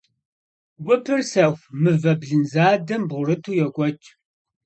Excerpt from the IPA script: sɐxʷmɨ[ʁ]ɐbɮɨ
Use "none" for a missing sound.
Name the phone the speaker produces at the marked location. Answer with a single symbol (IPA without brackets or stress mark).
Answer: v